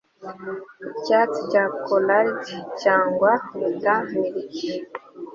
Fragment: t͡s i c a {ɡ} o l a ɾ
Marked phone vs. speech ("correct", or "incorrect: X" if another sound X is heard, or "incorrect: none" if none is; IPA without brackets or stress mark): incorrect: k